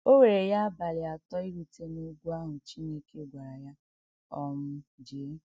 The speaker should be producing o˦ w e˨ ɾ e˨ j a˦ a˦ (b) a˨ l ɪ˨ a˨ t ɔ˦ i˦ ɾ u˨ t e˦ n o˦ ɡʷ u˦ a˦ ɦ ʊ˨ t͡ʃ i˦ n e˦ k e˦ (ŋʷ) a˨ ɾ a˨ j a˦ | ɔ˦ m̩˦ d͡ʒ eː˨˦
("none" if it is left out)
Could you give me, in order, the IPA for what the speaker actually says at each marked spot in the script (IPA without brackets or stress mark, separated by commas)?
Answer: b, ɡʷ